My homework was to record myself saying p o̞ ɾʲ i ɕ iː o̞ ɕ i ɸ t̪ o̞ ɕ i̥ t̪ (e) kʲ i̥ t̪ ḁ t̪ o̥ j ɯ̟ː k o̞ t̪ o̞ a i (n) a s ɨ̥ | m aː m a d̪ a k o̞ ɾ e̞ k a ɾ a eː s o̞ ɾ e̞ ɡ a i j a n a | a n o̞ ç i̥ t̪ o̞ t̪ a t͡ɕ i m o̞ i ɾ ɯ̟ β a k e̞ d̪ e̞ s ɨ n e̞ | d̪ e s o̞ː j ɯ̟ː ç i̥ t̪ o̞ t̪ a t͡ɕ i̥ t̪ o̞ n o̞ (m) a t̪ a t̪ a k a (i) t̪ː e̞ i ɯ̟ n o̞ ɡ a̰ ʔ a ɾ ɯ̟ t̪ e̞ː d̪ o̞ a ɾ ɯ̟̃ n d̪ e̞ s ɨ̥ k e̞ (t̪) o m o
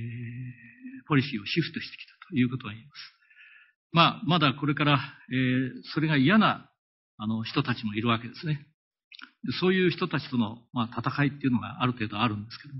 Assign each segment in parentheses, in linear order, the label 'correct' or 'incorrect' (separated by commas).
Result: correct, incorrect, correct, correct, incorrect